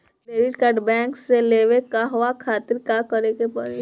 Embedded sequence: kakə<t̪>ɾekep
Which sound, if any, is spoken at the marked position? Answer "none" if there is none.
none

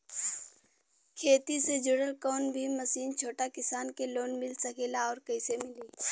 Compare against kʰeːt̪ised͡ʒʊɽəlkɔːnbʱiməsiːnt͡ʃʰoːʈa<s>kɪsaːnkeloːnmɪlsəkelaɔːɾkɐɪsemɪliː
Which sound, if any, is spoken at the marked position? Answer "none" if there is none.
none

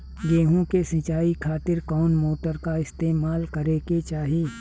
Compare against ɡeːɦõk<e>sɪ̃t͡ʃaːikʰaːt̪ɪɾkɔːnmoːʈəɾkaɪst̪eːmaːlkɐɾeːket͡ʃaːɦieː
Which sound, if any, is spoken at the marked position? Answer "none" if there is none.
e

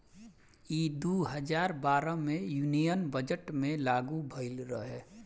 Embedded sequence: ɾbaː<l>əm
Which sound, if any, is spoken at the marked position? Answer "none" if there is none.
ɾ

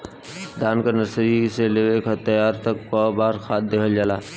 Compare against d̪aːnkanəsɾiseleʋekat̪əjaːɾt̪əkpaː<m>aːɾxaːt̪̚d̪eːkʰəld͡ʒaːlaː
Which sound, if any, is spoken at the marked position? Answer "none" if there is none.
b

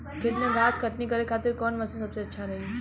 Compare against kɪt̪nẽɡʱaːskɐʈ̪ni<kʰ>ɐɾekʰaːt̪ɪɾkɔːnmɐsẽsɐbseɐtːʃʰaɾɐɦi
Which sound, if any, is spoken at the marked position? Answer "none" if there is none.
k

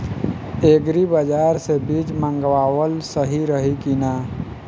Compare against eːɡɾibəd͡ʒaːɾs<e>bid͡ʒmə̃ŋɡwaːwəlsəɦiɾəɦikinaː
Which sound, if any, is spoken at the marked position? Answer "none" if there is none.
e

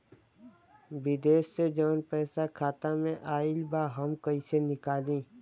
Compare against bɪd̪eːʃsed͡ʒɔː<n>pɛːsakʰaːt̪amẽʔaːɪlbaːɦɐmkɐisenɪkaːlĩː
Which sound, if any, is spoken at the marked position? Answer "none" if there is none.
n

